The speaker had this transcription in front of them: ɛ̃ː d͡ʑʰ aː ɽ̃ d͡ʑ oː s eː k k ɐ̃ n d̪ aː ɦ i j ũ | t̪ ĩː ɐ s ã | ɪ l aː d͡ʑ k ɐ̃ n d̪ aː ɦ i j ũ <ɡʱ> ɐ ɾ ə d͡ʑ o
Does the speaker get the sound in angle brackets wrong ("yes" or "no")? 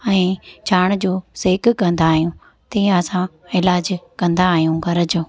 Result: no